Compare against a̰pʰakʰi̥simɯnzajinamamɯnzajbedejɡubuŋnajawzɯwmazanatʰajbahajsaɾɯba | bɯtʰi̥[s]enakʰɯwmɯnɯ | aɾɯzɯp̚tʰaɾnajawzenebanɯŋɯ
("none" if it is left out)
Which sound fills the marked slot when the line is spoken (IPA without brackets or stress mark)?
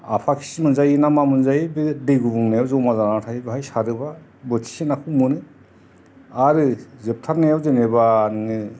s